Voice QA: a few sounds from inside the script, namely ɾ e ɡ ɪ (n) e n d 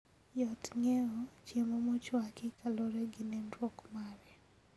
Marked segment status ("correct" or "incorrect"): correct